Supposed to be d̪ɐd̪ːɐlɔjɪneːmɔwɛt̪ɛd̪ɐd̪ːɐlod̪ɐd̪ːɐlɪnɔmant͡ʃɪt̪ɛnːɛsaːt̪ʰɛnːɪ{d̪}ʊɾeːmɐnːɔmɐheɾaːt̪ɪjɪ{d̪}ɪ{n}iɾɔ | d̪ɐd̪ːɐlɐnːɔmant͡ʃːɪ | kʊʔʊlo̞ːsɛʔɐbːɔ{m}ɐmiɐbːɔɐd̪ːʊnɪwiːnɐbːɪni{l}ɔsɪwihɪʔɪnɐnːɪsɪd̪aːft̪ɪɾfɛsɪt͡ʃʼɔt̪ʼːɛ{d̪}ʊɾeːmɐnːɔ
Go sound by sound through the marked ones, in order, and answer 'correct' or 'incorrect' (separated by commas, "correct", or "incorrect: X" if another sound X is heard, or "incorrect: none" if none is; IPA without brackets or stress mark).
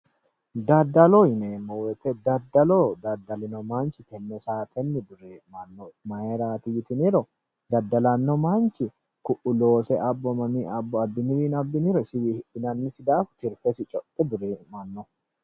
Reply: correct, incorrect: t̪, correct, correct, incorrect: ɾ, correct